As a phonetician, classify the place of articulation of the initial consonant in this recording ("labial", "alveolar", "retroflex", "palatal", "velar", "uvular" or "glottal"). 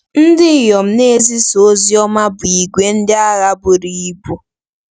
alveolar